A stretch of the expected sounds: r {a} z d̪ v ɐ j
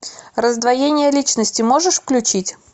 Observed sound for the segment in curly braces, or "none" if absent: ə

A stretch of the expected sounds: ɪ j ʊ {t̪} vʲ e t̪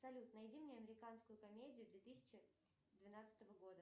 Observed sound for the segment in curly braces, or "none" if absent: d̪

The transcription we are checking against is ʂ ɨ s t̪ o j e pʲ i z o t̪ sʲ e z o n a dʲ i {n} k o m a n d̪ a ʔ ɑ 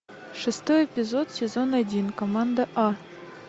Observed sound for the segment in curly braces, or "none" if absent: n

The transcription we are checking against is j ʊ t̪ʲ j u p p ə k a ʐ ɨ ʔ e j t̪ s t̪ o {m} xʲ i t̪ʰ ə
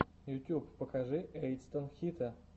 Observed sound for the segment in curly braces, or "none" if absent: n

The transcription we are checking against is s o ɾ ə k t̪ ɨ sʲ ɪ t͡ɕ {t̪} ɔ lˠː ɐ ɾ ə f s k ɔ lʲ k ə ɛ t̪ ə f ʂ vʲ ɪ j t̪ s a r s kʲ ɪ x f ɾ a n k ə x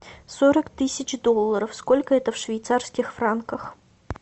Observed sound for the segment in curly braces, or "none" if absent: d̪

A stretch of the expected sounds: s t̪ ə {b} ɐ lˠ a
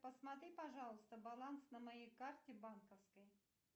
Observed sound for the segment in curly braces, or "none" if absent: b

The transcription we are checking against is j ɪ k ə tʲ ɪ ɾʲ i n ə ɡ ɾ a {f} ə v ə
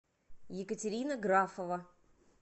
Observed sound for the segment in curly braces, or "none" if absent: f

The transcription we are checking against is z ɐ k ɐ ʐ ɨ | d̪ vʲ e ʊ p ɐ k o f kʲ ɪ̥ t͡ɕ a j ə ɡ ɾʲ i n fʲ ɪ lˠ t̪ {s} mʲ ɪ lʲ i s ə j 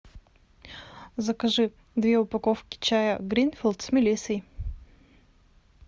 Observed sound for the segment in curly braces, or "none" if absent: s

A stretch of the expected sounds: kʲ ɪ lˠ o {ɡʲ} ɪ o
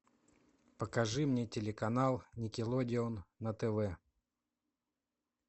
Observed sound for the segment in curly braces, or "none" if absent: dʲ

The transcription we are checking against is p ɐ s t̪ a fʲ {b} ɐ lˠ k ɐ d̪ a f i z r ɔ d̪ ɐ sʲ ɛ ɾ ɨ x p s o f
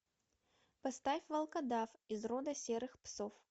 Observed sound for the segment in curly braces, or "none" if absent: v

